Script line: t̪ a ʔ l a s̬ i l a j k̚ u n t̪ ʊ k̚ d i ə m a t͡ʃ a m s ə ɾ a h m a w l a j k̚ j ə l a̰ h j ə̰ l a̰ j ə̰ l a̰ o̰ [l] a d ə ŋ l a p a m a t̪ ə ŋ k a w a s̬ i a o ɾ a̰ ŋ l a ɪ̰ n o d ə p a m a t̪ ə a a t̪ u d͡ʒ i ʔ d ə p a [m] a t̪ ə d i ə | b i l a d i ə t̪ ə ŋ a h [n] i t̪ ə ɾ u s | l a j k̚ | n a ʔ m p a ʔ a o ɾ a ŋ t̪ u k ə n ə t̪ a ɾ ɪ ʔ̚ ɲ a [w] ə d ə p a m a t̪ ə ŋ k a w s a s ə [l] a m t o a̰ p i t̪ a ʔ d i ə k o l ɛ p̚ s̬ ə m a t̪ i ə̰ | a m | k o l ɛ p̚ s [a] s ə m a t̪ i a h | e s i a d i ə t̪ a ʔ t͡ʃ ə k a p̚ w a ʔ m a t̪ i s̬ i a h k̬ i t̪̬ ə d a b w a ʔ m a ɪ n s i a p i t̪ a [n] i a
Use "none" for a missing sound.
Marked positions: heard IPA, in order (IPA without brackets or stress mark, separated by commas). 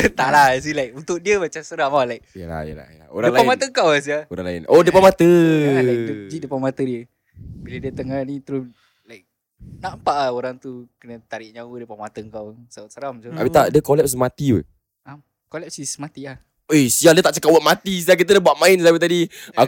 ɾ, m, n, w, ɾ, i, d